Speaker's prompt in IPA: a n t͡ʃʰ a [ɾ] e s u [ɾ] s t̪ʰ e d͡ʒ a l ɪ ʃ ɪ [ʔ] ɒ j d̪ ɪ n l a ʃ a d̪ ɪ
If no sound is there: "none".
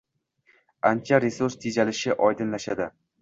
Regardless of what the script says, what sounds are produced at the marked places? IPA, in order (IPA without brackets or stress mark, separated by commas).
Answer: ɾ, ɾ, ʔ